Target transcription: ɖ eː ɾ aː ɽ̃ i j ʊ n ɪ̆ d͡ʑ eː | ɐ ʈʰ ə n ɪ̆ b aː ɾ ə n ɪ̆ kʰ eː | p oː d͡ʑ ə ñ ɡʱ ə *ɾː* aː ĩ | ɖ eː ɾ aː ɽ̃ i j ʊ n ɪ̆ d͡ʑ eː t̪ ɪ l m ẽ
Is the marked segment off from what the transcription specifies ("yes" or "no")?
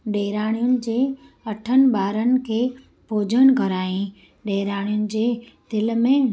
yes